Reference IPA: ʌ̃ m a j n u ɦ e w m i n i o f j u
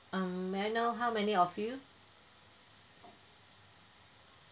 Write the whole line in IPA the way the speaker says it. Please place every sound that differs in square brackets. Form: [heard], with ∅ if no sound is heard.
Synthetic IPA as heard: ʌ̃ m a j n [o] ɦ [a] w m [ɛ] n i [ɔ] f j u